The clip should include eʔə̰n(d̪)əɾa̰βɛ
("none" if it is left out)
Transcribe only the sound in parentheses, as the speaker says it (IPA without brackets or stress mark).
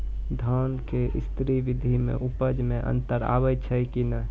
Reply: t̪